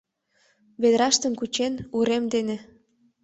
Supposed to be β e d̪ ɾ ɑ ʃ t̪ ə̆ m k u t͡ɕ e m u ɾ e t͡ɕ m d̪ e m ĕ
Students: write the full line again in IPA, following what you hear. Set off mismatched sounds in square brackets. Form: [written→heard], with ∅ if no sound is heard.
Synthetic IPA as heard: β e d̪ ɾ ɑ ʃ t̪ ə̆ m k u t͡ɕ e [m→n] u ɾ e [t͡ɕ→∅] m d̪ e [m→n] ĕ